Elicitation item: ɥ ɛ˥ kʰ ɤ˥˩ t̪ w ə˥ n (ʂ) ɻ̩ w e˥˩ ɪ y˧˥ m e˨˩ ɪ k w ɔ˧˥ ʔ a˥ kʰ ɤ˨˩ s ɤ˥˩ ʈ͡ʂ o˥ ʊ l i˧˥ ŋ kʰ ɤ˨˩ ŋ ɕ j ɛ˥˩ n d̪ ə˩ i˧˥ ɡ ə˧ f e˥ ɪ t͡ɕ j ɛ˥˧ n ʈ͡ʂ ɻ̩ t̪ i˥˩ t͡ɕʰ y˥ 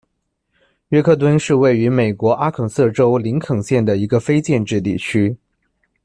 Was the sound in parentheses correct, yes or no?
yes